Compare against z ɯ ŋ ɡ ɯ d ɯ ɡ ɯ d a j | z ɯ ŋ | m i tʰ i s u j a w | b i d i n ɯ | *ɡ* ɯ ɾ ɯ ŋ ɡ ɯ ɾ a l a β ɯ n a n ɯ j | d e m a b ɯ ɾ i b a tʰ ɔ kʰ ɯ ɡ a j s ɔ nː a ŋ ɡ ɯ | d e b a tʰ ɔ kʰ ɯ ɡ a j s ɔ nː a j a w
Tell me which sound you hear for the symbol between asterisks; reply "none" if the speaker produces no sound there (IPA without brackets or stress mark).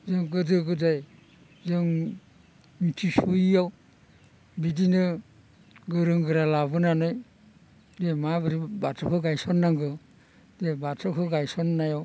ɡ